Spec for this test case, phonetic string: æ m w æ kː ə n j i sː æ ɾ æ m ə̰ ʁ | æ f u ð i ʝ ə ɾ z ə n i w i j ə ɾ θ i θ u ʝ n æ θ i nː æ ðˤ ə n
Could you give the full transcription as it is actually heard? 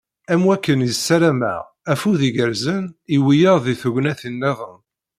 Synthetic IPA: æ m w æ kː ə n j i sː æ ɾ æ m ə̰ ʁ | æ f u ð i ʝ ə ɾ z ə n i w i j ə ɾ ð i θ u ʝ n æ θ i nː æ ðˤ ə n